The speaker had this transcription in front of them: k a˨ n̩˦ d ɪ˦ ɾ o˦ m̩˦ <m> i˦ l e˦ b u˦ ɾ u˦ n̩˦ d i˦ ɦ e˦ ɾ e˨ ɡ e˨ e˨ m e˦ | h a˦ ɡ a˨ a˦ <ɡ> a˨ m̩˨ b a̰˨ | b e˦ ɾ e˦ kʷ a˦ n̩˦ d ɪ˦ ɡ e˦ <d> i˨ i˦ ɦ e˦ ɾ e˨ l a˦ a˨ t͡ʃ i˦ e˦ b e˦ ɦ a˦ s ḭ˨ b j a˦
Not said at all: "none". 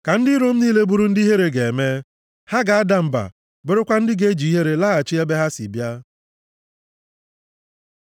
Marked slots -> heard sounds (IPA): n, d, d͡ʒ

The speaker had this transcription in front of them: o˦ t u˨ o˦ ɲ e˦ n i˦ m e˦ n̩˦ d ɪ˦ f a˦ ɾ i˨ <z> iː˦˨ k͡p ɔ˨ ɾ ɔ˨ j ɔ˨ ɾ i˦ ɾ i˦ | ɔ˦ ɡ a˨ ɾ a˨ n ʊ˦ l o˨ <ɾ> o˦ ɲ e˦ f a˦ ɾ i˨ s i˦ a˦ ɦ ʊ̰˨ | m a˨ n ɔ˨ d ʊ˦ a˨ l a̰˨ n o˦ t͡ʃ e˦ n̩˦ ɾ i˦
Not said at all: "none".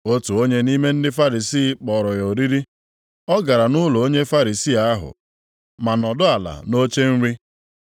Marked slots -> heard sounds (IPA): s, none

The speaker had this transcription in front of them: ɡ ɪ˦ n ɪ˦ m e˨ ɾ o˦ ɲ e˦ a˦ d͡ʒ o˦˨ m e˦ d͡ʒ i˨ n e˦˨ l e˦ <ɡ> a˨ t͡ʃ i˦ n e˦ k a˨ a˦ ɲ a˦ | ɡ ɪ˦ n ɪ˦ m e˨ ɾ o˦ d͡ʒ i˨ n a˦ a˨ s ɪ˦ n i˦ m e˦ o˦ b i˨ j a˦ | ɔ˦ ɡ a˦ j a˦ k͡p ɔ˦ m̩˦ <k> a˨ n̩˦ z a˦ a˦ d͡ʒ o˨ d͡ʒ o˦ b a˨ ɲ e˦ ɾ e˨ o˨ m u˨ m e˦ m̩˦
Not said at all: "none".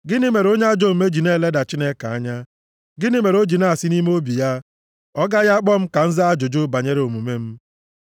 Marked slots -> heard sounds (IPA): d, k

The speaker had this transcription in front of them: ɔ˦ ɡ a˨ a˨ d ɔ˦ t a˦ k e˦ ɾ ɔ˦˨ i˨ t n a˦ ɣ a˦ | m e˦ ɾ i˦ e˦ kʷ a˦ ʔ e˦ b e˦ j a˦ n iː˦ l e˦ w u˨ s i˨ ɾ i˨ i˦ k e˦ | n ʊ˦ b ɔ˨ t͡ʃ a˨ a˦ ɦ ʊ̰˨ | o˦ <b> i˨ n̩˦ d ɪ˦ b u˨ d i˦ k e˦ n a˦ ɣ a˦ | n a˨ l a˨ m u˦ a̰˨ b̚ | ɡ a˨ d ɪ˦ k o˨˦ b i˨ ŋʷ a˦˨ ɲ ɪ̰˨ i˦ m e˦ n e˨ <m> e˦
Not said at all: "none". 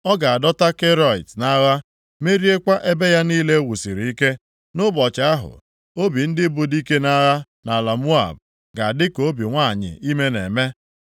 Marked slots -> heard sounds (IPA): b, m

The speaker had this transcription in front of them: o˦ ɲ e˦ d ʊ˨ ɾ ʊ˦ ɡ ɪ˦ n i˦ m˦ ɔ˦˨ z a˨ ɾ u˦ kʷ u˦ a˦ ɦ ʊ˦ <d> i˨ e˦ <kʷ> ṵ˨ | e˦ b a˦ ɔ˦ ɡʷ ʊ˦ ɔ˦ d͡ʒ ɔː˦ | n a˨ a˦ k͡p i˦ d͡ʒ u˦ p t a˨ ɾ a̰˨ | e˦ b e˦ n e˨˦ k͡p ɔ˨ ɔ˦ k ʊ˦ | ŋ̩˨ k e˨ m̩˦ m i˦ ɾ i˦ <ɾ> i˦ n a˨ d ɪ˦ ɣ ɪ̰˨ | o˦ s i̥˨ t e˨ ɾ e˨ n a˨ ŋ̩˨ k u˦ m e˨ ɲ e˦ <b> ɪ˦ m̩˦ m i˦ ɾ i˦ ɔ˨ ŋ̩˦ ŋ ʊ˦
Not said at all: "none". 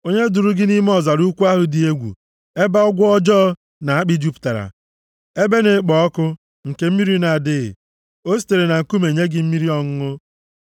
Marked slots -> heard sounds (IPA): d, ɡʷ, none, ɡ

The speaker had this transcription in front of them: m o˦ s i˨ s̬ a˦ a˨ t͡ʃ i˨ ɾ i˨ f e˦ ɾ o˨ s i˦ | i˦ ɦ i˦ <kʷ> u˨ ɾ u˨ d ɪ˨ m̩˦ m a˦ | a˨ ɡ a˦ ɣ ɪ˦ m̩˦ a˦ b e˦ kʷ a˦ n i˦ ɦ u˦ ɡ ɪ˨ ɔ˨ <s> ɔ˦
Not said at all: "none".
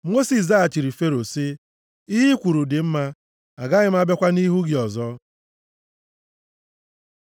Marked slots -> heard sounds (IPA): kʷ, z

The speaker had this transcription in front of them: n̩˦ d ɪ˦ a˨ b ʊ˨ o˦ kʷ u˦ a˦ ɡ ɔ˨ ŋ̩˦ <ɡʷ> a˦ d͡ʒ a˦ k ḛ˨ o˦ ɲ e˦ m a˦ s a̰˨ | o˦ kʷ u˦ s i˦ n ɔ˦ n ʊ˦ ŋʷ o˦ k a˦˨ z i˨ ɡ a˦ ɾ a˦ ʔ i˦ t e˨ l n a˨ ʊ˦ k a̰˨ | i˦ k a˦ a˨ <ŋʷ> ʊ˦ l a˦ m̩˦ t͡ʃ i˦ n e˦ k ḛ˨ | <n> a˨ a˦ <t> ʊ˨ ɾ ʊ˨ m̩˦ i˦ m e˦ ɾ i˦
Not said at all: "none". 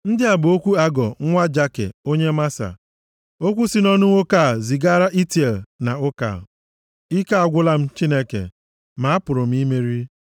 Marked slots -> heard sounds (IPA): ŋʷ, ɡʷ, m, p

